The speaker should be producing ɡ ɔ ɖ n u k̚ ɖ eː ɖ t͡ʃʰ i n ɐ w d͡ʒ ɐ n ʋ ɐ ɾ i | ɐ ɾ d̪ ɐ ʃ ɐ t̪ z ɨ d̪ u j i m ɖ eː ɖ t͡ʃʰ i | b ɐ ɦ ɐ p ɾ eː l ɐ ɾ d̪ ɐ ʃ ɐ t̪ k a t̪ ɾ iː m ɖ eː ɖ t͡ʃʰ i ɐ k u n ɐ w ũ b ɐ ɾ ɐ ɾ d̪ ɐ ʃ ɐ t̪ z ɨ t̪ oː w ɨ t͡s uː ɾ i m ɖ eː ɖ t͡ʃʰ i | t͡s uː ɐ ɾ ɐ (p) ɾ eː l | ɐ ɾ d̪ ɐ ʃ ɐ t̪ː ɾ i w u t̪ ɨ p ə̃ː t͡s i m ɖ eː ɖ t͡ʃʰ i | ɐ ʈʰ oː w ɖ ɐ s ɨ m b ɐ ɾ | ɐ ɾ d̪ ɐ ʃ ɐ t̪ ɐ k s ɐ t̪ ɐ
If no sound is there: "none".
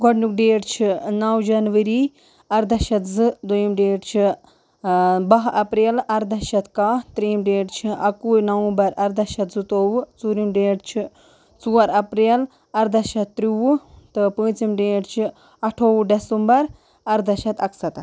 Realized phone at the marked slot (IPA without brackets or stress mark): p